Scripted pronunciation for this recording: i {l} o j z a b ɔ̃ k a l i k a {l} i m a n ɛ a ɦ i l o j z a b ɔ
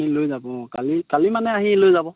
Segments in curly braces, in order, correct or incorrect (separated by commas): correct, correct